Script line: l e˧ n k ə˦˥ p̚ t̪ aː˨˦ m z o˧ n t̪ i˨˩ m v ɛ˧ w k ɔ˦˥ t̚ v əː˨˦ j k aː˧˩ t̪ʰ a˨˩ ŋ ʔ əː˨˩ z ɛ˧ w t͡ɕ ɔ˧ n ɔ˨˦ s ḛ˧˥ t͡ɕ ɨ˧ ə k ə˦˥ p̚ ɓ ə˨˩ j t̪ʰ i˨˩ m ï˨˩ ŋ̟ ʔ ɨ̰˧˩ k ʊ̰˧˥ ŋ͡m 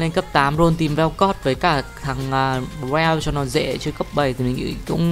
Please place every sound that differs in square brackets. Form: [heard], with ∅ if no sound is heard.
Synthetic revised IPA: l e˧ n k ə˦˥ p̚ t̪ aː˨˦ m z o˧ n t̪ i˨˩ m v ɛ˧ w k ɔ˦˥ t̚ v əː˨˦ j k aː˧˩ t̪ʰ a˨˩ ŋ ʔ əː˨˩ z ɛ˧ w t͡ɕ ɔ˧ n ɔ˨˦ [z] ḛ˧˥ t͡ɕ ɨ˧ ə k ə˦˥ p̚ ɓ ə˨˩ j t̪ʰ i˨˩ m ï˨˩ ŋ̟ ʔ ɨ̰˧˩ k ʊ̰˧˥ ŋ͡m